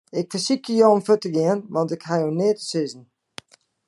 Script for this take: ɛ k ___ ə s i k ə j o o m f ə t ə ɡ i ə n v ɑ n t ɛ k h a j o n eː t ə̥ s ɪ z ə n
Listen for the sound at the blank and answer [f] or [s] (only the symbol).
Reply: f